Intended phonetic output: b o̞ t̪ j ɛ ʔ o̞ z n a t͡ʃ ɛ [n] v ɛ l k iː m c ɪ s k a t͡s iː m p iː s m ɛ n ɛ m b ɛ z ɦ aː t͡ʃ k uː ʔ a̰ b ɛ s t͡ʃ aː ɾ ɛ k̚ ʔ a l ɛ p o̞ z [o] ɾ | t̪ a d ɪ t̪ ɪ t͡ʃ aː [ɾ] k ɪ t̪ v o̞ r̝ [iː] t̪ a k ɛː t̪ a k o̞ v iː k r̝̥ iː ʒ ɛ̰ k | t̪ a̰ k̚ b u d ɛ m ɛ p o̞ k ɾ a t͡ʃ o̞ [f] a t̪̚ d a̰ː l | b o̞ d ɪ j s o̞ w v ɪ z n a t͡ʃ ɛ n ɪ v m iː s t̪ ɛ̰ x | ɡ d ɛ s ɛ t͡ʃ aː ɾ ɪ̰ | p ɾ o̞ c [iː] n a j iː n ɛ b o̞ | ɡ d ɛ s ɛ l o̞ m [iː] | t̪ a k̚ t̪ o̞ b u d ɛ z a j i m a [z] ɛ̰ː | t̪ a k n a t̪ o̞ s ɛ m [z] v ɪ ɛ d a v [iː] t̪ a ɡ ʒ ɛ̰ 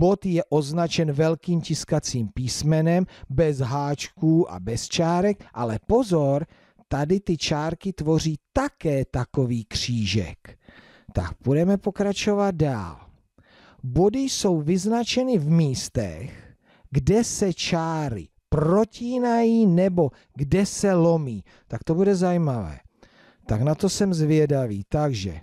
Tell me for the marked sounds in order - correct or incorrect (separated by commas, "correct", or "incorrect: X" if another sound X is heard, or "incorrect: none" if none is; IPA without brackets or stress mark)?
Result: correct, correct, correct, correct, incorrect: v, correct, correct, incorrect: v, correct, correct